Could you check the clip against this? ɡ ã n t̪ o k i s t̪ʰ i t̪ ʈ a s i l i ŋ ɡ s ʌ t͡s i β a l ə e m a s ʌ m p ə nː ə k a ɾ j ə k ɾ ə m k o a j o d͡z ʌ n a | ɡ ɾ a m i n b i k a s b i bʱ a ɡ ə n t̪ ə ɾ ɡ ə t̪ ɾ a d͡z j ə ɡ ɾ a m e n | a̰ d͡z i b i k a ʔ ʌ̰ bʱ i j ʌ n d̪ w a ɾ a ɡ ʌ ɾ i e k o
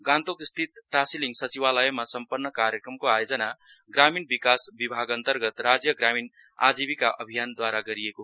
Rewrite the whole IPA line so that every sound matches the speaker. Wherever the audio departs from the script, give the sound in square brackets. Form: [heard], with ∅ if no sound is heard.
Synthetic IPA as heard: ɡ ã n t̪ o k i s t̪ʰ i t̪ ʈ a s i l i ŋ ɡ s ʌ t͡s i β a l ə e m a s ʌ m p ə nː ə k a ɾ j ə k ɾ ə m k o a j o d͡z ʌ n a | ɡ ɾ a m i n b i k a s b i bʱ a ɡ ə n t̪ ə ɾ ɡ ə t̪ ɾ a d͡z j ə ɡ ɾ a m [i] n | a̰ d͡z i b i k a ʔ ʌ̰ bʱ i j [a] n d̪ w a ɾ a ɡ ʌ ɾ i e k o